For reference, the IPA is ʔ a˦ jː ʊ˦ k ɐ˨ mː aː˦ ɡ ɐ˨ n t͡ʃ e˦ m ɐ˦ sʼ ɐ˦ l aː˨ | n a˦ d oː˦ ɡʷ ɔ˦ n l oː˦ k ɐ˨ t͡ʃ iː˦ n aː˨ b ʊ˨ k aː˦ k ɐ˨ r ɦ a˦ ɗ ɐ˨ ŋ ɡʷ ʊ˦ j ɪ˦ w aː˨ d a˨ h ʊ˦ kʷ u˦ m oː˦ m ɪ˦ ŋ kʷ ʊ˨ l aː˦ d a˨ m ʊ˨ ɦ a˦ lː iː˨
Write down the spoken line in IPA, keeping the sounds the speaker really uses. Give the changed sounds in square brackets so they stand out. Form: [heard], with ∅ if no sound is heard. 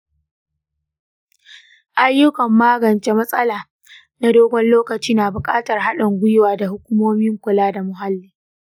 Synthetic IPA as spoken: ʔ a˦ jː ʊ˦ k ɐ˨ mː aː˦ ɡ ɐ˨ n t͡ʃ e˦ m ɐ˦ sʼ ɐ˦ l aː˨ | n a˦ d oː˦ ɡʷ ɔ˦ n l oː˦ k ɐ˨ t͡ʃ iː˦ n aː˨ b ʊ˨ [kʼ] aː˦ [t] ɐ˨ r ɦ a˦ ɗ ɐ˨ ŋ ɡʷ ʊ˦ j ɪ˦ w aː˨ d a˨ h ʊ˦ kʷ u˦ m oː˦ m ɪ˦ ŋ kʷ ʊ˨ l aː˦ d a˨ m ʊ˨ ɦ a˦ lː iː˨

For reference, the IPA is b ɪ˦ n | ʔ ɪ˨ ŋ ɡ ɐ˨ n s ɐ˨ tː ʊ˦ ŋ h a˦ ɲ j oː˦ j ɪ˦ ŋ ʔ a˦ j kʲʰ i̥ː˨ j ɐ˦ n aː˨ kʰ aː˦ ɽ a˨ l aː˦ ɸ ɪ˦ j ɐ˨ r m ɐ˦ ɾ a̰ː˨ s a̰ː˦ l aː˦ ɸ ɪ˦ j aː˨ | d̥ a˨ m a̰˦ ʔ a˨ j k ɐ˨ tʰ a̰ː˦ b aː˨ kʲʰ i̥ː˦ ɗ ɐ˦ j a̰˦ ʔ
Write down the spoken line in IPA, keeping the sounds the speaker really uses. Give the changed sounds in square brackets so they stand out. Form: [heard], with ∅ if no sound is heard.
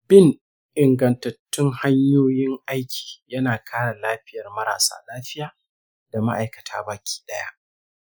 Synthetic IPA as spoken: b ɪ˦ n | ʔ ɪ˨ ŋ ɡ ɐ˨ n [t] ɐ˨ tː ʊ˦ ŋ h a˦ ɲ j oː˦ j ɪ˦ ŋ ʔ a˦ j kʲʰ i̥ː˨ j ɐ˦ n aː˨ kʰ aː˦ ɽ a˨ l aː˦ ɸ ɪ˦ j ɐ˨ r m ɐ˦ ɾ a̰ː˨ s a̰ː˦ l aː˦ ɸ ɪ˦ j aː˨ | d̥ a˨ m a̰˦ ʔ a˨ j k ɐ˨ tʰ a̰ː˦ b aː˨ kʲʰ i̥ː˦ ɗ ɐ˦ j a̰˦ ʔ

